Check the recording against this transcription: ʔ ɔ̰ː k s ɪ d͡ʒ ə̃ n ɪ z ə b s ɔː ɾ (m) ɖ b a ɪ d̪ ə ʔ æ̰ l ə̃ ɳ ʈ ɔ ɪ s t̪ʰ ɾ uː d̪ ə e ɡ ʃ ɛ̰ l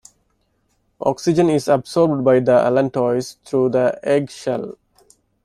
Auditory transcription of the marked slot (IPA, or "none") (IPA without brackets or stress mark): b